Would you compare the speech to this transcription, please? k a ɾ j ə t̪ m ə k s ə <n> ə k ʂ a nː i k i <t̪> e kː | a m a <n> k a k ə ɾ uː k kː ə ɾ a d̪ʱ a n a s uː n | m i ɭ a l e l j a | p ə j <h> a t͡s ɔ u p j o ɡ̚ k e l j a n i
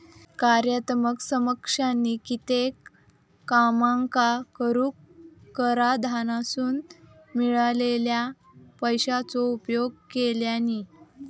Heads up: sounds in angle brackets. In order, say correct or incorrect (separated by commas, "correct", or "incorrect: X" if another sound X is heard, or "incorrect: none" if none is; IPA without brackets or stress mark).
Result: incorrect: m, correct, incorrect: ŋ, incorrect: ɕ